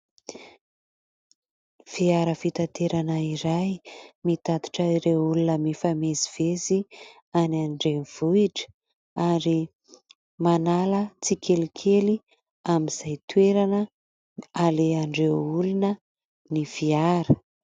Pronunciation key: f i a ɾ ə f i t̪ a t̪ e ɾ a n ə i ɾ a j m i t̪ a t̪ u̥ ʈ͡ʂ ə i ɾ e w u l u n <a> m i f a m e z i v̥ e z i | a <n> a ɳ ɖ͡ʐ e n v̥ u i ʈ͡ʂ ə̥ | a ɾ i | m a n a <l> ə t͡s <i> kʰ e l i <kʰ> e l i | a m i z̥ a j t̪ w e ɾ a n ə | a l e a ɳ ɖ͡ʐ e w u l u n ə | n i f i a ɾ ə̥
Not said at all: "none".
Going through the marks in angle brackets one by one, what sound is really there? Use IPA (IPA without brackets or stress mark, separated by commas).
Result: ə, n, l, i, kʰ